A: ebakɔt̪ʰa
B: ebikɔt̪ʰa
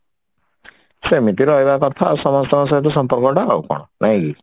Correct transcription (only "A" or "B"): A